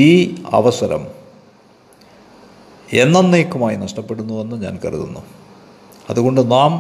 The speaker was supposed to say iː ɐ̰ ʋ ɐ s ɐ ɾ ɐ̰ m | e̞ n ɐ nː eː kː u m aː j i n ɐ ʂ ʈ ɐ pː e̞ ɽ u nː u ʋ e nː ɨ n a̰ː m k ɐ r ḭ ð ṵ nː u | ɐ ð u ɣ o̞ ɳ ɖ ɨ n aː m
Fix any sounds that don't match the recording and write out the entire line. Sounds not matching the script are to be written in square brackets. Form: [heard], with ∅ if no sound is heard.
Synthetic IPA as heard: iː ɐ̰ ʋ ɐ s ɐ ɾ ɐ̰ m | e̞ [nː] ɐ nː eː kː u m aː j i n ɐ ʂ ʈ ɐ pː e̞ ɽ u nː u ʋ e nː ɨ [ɲ] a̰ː [n] k ɐ r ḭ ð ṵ nː u | ɐ ð u ɣ o̞ ɳ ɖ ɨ n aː m